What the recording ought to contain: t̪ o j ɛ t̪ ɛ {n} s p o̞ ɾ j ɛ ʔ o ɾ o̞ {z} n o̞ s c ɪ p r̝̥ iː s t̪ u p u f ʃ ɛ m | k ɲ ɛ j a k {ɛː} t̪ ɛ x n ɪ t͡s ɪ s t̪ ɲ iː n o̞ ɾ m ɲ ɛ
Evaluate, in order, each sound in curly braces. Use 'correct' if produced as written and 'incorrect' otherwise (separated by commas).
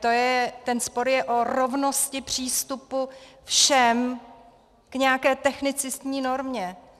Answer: correct, incorrect, correct